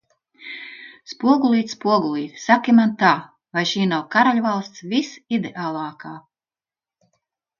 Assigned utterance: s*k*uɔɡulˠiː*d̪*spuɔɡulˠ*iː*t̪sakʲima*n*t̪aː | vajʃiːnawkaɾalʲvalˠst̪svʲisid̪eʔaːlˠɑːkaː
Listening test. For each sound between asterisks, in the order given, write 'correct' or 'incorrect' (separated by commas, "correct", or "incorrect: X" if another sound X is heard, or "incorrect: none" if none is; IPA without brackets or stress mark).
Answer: incorrect: p, incorrect: t̪, correct, correct